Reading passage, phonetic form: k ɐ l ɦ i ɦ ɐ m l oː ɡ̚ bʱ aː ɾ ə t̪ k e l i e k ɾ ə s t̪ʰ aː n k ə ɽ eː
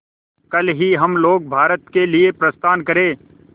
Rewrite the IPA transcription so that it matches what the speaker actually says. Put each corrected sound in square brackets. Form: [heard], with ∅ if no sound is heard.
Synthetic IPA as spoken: k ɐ l ɦ i ɦ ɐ m l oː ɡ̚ bʱ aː ɾ ə t̪ k e l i e [p] ɾ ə s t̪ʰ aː n k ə [ɾ] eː